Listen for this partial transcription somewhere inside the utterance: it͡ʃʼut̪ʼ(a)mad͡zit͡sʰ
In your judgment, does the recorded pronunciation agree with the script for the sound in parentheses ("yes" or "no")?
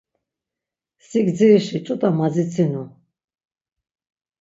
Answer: yes